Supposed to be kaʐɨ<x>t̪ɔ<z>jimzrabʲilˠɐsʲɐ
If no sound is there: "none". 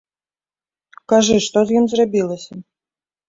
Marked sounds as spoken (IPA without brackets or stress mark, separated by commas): ʂ, z